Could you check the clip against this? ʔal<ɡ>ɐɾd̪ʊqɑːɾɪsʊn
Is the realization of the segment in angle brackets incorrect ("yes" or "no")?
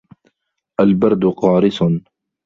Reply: yes